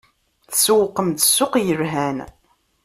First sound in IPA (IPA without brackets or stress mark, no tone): θ